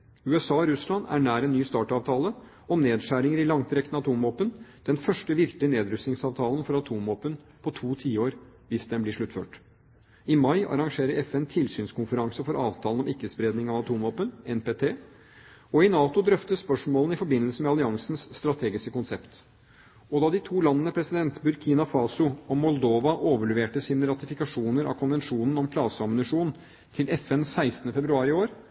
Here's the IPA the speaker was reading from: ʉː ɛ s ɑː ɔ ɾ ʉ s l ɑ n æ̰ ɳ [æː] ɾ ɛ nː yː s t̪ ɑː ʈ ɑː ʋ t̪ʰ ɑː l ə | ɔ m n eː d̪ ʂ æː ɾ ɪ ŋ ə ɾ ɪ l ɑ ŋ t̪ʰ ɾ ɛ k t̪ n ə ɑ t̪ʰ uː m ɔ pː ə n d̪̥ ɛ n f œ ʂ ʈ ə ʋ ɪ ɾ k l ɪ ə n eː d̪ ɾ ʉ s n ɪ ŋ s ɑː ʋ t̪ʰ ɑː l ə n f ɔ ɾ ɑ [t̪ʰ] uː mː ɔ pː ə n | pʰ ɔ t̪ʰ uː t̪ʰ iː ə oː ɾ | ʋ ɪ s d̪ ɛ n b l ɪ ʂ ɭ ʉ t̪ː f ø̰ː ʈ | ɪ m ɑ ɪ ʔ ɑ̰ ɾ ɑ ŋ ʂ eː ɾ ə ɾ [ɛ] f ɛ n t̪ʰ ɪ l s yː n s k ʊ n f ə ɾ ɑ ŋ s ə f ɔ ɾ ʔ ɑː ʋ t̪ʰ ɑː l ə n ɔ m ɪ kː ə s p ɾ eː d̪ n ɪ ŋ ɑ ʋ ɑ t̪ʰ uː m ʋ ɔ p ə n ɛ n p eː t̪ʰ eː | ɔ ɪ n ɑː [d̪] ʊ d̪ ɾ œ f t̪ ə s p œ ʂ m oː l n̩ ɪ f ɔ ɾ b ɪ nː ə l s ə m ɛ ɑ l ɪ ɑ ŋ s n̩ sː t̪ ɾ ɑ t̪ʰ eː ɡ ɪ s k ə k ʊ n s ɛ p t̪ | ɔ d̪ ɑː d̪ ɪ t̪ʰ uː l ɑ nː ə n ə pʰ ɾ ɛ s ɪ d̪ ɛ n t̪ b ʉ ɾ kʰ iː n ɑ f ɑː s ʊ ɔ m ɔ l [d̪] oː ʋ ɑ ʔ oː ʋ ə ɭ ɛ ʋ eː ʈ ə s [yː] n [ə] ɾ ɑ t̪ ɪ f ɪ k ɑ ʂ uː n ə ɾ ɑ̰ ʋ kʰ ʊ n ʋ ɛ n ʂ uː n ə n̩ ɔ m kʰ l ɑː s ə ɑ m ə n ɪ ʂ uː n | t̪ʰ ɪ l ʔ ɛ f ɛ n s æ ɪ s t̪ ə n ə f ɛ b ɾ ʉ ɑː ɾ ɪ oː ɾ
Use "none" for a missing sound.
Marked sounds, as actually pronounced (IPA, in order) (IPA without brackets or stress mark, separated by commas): æː, t̪ʰ, ɛ, t̪, d̪, iː, ə